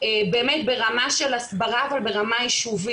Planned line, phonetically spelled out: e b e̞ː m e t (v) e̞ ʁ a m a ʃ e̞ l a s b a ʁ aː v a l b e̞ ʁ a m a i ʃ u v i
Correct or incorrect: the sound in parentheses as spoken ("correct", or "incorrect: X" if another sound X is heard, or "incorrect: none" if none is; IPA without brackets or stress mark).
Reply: incorrect: b